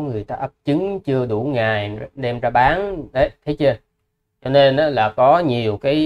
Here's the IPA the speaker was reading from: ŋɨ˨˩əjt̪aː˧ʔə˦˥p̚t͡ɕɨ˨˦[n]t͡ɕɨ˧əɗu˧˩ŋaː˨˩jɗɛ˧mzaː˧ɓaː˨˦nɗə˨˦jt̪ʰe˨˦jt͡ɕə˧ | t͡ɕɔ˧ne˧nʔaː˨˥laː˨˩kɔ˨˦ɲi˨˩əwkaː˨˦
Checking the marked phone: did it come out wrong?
yes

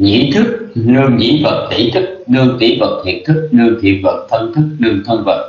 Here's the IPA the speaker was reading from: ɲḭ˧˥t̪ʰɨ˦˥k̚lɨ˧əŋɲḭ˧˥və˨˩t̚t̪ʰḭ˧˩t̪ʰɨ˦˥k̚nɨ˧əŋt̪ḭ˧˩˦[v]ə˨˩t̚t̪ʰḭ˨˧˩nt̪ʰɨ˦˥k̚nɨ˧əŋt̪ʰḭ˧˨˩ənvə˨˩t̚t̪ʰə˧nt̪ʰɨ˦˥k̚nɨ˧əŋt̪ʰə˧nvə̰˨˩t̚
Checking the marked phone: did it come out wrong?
no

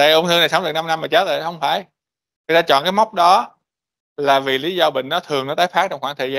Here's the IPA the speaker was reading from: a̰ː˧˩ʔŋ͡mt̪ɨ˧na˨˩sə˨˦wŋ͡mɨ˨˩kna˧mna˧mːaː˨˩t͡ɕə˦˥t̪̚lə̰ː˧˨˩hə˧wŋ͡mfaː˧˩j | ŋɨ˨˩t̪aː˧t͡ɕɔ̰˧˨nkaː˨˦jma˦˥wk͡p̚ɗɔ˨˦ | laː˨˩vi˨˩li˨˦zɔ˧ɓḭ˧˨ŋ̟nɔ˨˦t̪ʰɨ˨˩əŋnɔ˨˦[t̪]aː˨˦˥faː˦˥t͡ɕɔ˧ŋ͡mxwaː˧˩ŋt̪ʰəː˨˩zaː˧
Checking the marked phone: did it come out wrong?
no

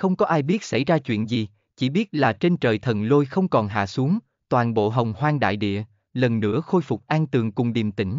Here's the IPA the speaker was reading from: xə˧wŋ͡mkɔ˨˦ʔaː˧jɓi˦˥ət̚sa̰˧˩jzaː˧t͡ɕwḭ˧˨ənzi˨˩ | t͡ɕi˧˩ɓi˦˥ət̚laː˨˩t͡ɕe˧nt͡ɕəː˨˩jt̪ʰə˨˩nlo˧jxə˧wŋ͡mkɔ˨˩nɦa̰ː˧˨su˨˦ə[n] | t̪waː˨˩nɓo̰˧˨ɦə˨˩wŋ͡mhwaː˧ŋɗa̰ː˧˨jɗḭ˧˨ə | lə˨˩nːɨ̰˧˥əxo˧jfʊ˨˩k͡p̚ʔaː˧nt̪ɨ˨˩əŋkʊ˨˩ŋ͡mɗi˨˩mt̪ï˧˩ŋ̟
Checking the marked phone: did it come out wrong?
yes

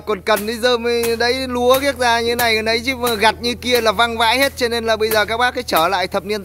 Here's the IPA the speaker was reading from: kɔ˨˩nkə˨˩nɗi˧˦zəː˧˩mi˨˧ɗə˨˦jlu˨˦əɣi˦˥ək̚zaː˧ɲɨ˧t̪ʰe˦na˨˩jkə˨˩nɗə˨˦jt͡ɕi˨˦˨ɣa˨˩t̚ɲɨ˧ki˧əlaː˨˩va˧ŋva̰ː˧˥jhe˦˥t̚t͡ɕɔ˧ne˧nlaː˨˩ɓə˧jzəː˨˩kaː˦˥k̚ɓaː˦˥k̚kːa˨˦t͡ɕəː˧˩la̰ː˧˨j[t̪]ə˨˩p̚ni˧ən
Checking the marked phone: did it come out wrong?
yes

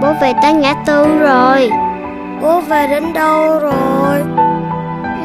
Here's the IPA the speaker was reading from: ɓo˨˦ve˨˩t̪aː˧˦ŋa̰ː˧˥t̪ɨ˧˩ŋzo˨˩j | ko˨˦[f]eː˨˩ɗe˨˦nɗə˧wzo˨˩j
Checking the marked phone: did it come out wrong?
yes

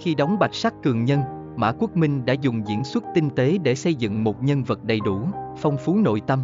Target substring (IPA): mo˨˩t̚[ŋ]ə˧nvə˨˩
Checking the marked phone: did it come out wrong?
yes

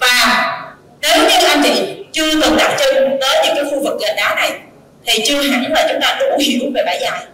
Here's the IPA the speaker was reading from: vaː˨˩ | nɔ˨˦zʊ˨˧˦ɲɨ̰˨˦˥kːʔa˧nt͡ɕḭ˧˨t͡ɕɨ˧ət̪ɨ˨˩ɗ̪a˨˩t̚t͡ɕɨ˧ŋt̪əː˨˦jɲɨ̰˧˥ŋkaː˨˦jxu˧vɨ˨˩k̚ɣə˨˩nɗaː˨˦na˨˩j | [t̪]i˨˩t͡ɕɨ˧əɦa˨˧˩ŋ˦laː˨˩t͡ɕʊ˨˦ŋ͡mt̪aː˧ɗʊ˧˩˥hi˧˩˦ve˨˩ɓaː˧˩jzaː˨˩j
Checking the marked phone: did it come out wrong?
yes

